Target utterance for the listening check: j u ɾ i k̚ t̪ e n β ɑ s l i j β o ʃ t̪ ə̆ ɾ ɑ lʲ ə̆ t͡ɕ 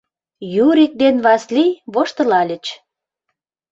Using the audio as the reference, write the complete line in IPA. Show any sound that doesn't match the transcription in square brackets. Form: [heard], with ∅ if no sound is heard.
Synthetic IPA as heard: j u ɾ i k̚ [d̪] e n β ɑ s l i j β o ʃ t̪ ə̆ [l] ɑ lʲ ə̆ t͡ɕ